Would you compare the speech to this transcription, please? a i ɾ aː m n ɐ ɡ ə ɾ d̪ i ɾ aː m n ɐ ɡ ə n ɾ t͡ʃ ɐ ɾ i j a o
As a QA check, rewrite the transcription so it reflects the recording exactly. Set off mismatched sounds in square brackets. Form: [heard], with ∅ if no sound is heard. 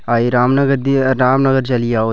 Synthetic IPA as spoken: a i ɾ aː m n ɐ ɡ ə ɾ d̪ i ɾ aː m n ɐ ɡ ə [∅] ɾ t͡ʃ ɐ [l] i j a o